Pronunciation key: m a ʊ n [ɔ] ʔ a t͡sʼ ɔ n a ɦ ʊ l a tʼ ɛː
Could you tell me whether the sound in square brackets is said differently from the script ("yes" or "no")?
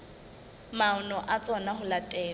no